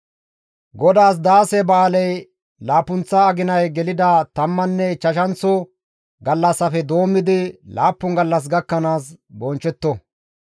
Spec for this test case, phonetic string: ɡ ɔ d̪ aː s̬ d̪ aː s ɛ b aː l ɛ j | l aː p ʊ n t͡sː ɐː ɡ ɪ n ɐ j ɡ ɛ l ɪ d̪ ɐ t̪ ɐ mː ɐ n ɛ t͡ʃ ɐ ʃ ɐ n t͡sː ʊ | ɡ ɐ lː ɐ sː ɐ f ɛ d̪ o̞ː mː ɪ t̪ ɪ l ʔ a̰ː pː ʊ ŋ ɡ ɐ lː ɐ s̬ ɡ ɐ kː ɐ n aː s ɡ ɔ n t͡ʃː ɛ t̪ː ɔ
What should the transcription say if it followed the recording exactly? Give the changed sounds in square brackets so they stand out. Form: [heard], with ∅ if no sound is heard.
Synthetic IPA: ɡ ɔ d̪ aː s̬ d̪ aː s ɛ b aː l ɛ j | l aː p ʊ n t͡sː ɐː ɡ ɪ n ɐ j ɡ ɛ l ɪ d̪ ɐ t̪ ɐ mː ɐ [nː] ɛ t͡ʃ ɐ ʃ ɐ n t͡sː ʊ | ɡ ɐ lː ɐ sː ɐ f ɛ d̪ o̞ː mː ɪ [d̪] ɪ l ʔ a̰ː pː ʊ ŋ ɡ ɐ lː ɐ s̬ ɡ ɐ kː ɐ n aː s [b] ɔ n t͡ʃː ɛ t̪ː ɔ